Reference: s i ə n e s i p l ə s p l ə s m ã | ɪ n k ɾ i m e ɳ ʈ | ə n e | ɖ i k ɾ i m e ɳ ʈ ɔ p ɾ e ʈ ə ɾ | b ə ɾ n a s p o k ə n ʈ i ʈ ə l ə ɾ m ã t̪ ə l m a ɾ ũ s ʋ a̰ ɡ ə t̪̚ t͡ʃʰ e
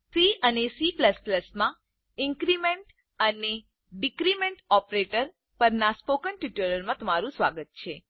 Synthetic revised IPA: s i ə n e s i p l ə s p l ə s m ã | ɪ ŋ k ɾ i m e ɳ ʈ | ə n e | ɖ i k ɾ i m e ɳ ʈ ɔ p ɾ e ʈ ə ɾ | p ə ɾ n a s p o k ə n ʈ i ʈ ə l ə ɾ m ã t̪ ə m a ɾ ũ s ʋ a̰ ɡ ə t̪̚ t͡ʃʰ e